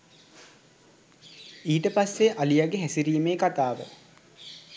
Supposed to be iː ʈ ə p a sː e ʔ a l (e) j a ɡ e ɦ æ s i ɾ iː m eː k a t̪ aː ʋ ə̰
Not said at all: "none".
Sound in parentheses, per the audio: i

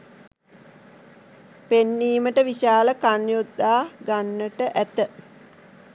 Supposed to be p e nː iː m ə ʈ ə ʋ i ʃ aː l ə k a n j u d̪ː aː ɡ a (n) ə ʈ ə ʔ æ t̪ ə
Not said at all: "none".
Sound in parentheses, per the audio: nː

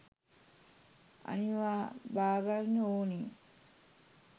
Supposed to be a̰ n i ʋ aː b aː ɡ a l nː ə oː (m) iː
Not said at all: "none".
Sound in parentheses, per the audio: n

